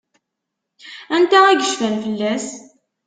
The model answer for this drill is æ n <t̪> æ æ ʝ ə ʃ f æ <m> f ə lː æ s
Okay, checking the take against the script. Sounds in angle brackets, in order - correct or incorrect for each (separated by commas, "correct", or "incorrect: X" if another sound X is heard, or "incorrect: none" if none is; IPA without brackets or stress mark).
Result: correct, incorrect: n